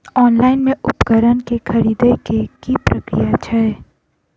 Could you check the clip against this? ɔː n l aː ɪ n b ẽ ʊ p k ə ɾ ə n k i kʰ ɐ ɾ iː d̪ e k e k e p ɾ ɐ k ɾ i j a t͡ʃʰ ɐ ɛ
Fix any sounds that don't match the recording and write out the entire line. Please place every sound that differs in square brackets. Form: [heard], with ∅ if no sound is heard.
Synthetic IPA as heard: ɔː n l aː ɪ n [m] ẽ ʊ p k ə ɾ ə n k [e] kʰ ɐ ɾ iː d̪ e k e k [i] p ɾ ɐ k ɾ i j a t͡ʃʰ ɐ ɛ